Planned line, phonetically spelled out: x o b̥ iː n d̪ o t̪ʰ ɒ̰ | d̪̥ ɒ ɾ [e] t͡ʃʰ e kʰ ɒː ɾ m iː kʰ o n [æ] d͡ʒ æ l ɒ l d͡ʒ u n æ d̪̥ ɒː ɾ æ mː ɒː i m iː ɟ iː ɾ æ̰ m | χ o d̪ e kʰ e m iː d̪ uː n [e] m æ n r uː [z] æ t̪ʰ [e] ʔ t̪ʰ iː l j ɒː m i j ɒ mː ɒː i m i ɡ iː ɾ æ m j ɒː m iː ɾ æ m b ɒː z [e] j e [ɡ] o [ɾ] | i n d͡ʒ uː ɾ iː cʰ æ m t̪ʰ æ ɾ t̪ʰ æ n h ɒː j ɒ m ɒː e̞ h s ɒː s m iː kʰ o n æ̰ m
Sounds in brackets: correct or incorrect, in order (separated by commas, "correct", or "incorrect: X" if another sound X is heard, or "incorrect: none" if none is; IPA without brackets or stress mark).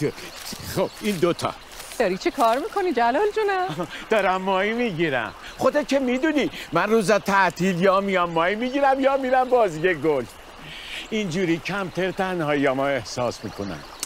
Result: incorrect: i, incorrect: i, incorrect: i, correct, incorrect: æ, incorrect: i, correct, incorrect: l